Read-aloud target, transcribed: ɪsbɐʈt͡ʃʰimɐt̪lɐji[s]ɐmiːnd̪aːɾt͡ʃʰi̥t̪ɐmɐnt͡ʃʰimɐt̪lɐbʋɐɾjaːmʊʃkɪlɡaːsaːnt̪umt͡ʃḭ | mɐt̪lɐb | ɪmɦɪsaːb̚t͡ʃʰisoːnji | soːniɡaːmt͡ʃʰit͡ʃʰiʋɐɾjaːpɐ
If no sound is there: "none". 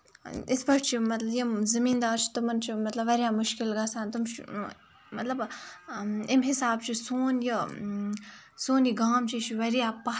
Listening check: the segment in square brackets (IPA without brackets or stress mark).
z